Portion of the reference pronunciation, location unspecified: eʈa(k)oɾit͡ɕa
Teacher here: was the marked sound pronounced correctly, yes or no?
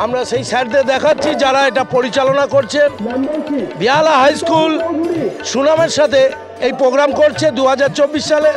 no